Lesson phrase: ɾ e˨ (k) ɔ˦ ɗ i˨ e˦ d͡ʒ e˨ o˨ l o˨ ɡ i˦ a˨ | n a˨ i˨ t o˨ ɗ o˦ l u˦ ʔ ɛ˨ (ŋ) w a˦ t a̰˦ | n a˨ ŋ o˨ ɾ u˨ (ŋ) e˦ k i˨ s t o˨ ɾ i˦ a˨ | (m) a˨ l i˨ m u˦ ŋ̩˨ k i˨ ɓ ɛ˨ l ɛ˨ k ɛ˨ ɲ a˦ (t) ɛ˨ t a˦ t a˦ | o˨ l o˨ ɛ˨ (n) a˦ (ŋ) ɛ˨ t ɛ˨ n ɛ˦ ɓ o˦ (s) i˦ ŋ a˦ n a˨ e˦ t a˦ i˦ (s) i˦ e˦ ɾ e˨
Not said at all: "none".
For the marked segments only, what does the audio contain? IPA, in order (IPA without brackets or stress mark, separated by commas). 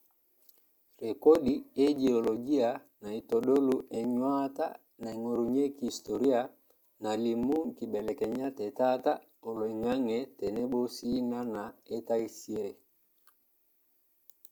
k, ɲ, ɲ, n, t, ŋ, ŋ, s, s